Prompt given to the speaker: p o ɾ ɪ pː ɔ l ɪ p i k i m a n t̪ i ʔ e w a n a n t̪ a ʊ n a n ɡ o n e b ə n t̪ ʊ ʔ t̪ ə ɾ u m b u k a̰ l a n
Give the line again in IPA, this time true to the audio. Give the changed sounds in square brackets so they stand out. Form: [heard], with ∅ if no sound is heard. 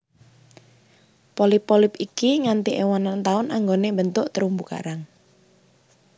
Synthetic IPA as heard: p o [l] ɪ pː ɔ l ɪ p i k i [ŋ] a n t̪ i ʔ e w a n a n t̪ a ʊ n a [ŋ] ɡ o n e b ə n t̪ ʊ ʔ t̪ ə ɾ u m b u k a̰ [ɾ] a [ŋ]

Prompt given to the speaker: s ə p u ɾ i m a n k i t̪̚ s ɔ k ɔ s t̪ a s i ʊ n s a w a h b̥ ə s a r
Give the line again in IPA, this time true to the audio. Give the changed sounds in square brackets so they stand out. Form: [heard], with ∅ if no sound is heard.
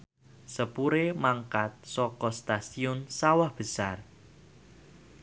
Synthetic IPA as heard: s ə p u ɾ [e] m a [ŋ] k [a] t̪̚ s ɔ k ɔ s t̪ a s i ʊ n s a w a h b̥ ə s a r

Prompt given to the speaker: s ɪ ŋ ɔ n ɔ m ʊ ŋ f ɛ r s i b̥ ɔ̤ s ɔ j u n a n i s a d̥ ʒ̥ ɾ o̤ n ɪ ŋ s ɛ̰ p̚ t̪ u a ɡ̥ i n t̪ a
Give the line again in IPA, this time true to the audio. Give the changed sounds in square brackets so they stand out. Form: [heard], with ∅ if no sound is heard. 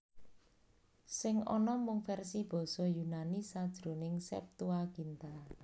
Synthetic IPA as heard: s ɪ ŋ ɔ n ɔ m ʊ ŋ f ɛ r s i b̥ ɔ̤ s ɔ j u n a n i s a d̥ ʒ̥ ɾ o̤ n ɪ ŋ s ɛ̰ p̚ t̪ u a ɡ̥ i n t̪ a

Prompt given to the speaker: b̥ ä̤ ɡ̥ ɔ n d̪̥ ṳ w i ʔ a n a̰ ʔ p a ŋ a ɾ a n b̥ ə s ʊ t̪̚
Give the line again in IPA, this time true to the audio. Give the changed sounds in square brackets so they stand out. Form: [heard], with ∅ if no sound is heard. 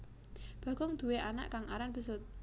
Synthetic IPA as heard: b̥ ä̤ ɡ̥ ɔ [ŋ] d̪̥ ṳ w [e] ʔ a n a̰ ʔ [k] a ŋ a ɾ a n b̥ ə s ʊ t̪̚

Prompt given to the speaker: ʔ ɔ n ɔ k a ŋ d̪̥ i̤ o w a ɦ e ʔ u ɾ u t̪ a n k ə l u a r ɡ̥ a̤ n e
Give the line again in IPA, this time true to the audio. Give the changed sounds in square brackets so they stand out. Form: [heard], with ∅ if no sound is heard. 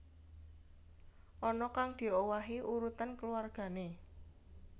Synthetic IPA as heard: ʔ ɔ n ɔ k a ŋ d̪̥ i̤ o w a ɦ [i] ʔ u ɾ u t̪ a n k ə l u a r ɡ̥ a̤ n e

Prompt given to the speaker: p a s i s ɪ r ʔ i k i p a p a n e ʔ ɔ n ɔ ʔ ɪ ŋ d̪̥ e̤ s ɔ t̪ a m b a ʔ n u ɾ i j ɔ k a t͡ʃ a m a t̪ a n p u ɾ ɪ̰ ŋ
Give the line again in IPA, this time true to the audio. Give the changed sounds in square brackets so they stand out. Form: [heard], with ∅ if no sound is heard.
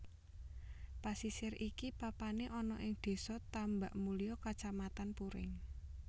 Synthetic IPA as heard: p a s i s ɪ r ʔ i k i p a p a n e ʔ ɔ n ɔ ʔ ɪ ŋ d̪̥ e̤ s ɔ t̪ a m b a ʔ [m] u [l] i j ɔ k a t͡ʃ a m a t̪ a n p u ɾ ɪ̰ ŋ

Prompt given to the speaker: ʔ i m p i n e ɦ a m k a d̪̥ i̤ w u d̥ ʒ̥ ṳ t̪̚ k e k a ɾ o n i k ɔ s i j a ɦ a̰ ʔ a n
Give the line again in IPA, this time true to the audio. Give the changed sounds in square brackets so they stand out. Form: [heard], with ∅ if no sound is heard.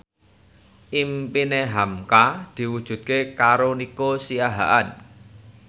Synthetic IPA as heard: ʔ i m p i n e ɦ a m k a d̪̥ i̤ w u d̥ ʒ̥ ṳ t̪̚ k e k a ɾ o n i k [o] s i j a ɦ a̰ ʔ a n

